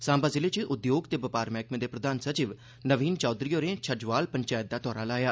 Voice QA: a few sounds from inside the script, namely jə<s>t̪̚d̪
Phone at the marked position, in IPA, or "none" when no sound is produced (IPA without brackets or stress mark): none